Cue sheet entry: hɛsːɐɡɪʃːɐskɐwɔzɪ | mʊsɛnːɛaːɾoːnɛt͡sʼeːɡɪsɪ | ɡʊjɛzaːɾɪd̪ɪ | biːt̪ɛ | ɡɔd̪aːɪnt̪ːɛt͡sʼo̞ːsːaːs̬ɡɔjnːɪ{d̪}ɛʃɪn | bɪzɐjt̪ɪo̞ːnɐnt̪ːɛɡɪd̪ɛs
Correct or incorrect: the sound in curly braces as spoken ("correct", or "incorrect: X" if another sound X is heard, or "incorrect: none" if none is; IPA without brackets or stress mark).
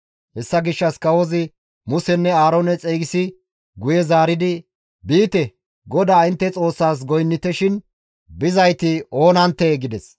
incorrect: t̪